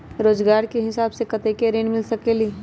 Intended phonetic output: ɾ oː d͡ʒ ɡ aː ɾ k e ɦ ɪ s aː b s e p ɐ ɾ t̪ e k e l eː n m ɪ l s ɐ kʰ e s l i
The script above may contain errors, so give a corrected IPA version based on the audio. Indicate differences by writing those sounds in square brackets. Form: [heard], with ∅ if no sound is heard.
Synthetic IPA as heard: ɾ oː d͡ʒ ɡ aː ɾ k e ɦ ɪ s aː b s e [k] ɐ [∅] t̪ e k e [ɾ] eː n m ɪ l s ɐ [k] e [∅] l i